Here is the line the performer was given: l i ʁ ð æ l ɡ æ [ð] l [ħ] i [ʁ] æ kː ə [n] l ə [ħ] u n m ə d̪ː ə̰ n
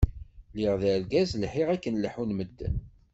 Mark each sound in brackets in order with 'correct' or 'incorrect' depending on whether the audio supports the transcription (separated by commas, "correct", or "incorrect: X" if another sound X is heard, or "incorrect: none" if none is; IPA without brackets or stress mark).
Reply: incorrect: z, correct, correct, correct, correct